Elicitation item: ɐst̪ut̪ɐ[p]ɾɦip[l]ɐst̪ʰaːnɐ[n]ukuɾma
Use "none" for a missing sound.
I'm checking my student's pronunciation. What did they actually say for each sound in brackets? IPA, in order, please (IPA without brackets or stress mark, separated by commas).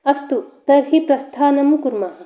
none, ɾ, m